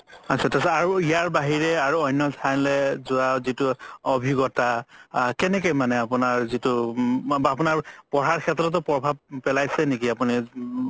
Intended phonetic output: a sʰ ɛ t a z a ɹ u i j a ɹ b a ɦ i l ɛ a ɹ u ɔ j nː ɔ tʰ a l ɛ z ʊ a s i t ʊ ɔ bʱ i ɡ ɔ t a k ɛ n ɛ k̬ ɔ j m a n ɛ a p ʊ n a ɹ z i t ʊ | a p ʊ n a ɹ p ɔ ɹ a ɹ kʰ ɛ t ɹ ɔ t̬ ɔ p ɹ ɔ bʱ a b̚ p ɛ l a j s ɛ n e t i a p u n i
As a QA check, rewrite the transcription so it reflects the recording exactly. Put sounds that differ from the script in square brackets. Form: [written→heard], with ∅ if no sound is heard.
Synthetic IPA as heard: a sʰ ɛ t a [z→s] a ɹ u i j a ɹ b a ɦ i [l→ɹ] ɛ a ɹ u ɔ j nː ɔ tʰ a l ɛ z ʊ a [s→z] i t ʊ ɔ bʱ i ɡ ɔ t a k ɛ n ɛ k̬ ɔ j m a n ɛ a p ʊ n a ɹ z i t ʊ | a p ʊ n a ɹ p ɔ ɹ a ɹ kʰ ɛ t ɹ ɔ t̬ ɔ p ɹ ɔ bʱ a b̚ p ɛ l a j s ɛ n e [t→k] i a p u n i

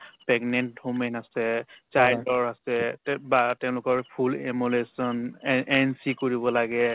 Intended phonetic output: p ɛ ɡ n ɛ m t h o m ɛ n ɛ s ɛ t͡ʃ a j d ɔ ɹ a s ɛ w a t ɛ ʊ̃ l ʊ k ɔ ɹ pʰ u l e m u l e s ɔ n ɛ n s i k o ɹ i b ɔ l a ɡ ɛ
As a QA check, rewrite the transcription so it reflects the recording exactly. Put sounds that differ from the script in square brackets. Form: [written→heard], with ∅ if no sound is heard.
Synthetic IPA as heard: p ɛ ɡ n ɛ [m→n] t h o m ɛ n [ɛ→a] s ɛ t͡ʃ a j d ɔ ɹ a s ɛ [w→b] a t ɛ ʊ̃ l ʊ k ɔ ɹ pʰ u l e m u l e s ɔ n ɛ n s i k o ɹ i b ɔ l a ɡ ɛ

